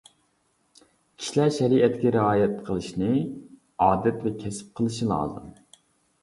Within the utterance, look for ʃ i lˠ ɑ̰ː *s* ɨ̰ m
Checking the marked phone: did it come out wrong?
yes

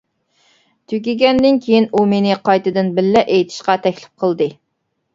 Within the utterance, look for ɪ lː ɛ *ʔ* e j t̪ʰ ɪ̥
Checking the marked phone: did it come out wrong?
no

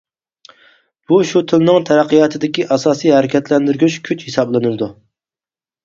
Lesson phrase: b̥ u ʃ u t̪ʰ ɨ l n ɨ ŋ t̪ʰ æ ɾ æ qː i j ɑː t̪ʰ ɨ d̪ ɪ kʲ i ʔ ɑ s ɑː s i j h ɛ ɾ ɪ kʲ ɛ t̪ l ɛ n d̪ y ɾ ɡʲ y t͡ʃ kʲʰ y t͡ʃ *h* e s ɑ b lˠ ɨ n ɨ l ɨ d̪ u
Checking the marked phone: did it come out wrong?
no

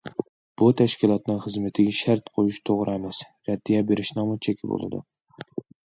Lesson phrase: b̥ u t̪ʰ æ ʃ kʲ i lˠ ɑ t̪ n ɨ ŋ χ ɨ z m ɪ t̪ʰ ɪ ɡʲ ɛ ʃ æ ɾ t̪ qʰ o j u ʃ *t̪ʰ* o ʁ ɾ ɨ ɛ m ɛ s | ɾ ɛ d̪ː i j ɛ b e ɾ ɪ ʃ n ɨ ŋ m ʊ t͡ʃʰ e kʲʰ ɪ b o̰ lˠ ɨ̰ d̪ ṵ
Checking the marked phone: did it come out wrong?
no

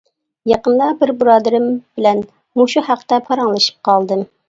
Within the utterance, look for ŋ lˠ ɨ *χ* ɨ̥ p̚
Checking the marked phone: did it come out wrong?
yes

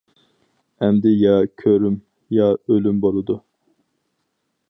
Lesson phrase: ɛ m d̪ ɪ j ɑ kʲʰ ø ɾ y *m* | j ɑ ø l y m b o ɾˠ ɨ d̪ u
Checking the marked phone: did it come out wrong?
no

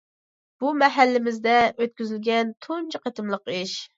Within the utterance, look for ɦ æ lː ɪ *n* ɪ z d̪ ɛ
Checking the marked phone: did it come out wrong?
yes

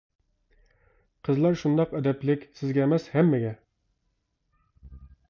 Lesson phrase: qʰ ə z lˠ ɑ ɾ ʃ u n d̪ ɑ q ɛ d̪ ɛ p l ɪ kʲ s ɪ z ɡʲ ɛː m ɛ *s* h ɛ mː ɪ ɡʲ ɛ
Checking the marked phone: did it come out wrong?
no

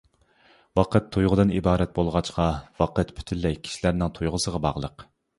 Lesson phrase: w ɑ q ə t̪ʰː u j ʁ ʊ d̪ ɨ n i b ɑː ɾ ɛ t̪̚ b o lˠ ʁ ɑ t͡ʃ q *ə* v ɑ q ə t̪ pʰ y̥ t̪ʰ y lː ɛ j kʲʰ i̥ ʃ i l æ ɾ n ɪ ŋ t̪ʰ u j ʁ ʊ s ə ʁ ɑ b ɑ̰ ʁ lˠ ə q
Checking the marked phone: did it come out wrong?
yes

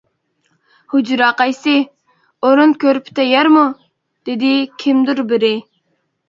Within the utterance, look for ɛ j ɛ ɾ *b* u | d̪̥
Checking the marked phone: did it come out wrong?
yes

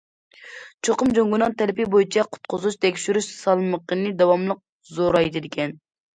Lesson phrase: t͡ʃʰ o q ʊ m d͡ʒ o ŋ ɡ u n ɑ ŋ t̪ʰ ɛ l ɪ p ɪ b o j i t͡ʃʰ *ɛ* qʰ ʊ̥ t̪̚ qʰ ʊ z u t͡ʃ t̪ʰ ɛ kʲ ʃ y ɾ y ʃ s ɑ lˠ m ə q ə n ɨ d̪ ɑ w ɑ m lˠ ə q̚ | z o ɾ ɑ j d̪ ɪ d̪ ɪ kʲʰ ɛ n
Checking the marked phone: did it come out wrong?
no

